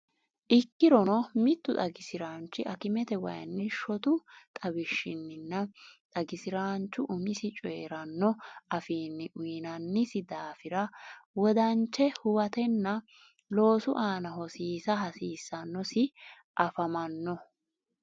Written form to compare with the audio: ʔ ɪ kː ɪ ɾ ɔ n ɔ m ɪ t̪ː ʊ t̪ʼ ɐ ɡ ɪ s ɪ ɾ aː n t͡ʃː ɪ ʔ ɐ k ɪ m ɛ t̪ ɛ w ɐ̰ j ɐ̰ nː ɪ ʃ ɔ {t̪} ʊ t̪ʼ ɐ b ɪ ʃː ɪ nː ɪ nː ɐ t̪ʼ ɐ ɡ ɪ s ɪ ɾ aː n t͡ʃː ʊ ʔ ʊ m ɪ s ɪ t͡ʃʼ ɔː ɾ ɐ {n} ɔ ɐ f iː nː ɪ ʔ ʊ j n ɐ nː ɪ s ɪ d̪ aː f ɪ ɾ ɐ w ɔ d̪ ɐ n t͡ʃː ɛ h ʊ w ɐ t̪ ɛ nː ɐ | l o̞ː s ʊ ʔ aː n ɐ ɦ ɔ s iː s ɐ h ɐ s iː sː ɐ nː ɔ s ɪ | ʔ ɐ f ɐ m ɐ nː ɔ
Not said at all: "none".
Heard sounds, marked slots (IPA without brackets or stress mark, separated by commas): t̪, nː